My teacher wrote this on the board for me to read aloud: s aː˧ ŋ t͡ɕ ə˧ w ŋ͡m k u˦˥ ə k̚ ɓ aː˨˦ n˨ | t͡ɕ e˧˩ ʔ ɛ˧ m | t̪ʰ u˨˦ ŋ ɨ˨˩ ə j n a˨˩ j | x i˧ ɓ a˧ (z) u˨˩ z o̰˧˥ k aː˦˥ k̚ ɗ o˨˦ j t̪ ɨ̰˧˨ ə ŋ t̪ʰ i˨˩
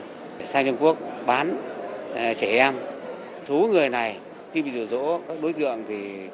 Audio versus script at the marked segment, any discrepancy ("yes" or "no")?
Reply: no